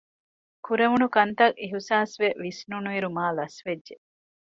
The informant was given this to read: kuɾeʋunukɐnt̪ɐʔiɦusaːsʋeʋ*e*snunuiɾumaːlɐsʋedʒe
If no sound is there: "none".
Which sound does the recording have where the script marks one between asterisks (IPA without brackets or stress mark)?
i